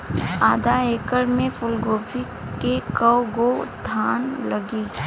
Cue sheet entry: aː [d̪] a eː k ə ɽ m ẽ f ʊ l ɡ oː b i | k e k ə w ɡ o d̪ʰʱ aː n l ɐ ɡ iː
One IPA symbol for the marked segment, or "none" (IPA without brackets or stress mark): d̪